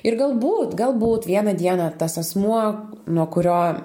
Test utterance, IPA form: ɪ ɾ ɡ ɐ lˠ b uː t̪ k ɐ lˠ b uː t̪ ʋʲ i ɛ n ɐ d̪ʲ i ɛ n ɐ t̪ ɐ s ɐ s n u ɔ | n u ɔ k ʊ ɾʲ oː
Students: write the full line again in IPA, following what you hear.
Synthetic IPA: ɪ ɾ ɡ ɐ lˠ b uː t̪ ɡ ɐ lˠ b uː t̪ ʋʲ i ɛ n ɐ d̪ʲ i ɛ n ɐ t̪ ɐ s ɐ s m u ɔ | n u ɔ k ʊ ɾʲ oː